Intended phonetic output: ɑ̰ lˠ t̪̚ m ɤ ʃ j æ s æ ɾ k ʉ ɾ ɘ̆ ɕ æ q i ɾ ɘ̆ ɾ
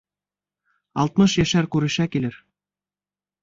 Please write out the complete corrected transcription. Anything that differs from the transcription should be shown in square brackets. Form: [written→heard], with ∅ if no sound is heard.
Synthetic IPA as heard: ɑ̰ lˠ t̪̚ m ɤ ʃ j æ [s→ʃ] æ ɾ k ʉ ɾ ɘ̆ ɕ æ [q→k] i [ɾ→l] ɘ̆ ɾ